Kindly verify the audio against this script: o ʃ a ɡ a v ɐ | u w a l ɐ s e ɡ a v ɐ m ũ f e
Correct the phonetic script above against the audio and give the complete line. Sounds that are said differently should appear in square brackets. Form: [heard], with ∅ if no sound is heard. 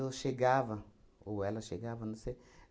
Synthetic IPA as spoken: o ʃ [e] ɡ a v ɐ | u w [ɛ] l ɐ [ʃ] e ɡ a v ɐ [n] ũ [s] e